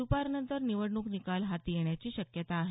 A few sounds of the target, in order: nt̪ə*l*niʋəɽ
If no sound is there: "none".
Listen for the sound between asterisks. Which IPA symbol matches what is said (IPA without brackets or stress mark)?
ɾ